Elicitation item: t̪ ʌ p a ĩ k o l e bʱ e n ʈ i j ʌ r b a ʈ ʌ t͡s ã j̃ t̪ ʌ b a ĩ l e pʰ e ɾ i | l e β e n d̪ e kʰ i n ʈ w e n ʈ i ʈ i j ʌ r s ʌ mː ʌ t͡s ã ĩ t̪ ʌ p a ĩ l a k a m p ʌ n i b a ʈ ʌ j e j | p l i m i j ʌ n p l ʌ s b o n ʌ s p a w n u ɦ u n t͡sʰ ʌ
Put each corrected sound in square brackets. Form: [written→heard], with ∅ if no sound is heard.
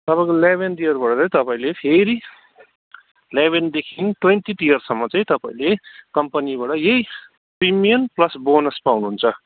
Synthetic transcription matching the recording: t̪ ʌ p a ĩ k o l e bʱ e n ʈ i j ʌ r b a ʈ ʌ t͡s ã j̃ t̪ ʌ [b→p] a ĩ l e pʰ e ɾ i | l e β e n d̪ e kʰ i n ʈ w e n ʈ i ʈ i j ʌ r s ʌ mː ʌ t͡s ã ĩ t̪ ʌ p a ĩ l [a→e] k [a→ʌ] m p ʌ n i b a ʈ ʌ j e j | p [l→r] i m i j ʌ n p l ʌ s b o n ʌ s p a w n u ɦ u n t͡sʰ ʌ